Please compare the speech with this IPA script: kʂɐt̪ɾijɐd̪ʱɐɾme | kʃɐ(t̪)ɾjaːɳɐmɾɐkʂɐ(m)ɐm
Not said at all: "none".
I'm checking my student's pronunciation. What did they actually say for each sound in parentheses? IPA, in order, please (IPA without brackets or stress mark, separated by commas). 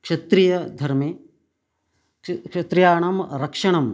t̪, ɳ